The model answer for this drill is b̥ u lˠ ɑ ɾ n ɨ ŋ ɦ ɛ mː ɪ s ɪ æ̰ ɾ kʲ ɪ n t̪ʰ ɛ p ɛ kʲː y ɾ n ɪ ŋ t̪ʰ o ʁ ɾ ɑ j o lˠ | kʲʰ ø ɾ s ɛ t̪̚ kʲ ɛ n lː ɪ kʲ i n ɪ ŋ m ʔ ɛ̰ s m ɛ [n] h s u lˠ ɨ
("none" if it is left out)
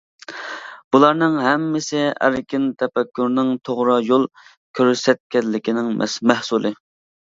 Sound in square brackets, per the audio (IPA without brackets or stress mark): none